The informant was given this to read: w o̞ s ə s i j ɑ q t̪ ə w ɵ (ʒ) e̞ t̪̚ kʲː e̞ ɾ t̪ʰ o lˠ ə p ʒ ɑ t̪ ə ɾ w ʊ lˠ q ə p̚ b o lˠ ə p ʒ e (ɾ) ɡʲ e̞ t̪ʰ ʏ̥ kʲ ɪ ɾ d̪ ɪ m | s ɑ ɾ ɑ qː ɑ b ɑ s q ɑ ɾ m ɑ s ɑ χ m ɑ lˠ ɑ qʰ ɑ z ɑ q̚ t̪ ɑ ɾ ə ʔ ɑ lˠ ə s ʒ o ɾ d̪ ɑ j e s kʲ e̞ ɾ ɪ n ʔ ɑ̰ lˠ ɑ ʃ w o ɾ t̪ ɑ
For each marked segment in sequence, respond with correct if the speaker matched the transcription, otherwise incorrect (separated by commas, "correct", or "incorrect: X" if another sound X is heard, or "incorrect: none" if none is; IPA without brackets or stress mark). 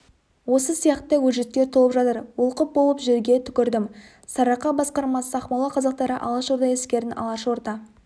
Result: correct, correct